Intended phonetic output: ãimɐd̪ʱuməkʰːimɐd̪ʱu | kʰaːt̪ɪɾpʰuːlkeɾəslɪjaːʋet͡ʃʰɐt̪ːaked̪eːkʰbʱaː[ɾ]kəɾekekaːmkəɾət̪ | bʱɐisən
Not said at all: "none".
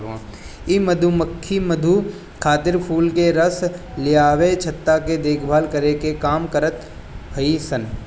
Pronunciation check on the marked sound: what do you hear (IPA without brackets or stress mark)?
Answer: l